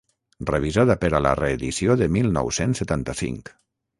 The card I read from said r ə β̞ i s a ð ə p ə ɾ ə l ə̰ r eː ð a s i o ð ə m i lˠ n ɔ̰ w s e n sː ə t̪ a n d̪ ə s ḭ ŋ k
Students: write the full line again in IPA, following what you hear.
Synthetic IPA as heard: r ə β̞ i z a ð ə p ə ɾ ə l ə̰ r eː ð i s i o ð ə m i lˠ n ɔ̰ w s e n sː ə t̪ a n t̪ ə s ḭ ŋ k